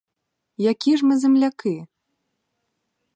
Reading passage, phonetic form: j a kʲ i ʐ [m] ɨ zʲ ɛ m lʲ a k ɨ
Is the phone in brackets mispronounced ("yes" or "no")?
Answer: no